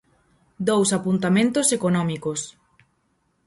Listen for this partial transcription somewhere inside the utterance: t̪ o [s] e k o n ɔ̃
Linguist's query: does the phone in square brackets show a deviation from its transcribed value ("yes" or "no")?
no